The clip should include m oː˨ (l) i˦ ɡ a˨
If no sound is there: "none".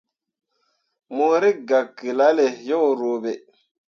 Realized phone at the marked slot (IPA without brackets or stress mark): ɾ